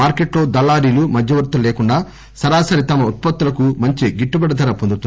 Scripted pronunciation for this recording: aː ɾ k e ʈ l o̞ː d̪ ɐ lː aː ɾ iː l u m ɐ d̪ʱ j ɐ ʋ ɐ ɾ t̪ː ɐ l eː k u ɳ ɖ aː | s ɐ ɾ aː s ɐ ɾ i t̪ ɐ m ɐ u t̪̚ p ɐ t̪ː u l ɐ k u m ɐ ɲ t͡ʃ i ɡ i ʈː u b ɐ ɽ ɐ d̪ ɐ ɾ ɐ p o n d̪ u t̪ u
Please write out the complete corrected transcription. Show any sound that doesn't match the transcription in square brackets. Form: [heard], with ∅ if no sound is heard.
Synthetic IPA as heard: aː ɾ k e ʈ l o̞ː d̪ ɐ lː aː ɾ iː l u m ɐ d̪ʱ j ɐ ʋ ɐ ɾ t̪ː ɐ l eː k u ɳ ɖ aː | s ɐ ɾ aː s ɐ ɾ i t̪ ɐ m ɐ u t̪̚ p ɐ t̪ː u l ɐ k u m ɐ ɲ t͡ʃ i ɡ i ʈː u b ɐ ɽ ɐ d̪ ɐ ɾ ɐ p o n d̪ u t̪ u